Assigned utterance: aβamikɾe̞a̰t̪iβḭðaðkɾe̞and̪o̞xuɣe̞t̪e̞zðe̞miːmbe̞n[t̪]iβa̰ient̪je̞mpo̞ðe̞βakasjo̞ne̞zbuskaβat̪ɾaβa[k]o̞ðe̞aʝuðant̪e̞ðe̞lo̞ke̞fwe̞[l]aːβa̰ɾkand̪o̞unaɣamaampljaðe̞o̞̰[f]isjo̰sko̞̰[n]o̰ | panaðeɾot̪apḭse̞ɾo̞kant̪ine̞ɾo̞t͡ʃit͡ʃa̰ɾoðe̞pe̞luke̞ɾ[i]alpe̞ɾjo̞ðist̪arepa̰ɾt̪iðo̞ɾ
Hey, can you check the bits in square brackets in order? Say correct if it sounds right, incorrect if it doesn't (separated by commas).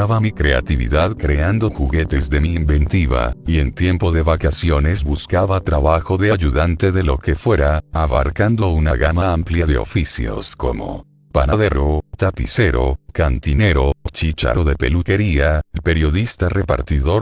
correct, incorrect, incorrect, correct, incorrect, correct